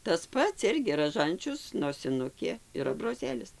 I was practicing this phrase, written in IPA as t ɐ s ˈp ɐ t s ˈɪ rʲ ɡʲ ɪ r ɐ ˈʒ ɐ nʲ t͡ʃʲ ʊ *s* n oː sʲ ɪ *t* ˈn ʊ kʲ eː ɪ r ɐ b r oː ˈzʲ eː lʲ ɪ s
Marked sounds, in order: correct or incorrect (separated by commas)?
correct, incorrect